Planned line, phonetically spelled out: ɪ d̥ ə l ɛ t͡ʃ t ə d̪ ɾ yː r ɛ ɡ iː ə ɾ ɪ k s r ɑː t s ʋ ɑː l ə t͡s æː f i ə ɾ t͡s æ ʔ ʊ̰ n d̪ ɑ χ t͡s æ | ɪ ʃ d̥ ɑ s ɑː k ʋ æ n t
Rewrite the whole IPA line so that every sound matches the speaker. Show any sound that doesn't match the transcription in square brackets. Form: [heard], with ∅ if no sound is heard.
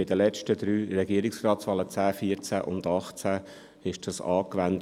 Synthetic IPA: ɪ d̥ ə l ɛ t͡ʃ t ə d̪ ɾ yː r ɛ ɡ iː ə ɾ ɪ k s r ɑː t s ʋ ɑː l ə t͡s æː f i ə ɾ t͡s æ ʔ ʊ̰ n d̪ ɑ χ t͡s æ | ɪ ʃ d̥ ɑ s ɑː k ʋ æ n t